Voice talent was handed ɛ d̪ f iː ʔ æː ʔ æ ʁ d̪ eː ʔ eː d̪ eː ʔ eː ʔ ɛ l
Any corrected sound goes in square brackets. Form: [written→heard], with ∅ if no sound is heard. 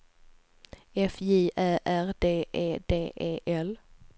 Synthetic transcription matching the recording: ɛ [d̪→∅] f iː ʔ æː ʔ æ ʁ d̪ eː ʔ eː d̪ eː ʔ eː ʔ ɛ l